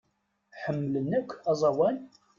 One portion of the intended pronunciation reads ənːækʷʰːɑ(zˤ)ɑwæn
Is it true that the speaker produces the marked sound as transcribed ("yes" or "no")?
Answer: yes